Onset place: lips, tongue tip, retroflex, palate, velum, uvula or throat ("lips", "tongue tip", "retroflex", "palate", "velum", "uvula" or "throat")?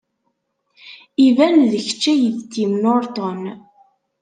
lips